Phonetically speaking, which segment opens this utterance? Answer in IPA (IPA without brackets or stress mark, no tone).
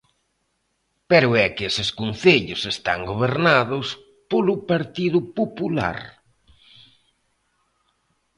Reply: p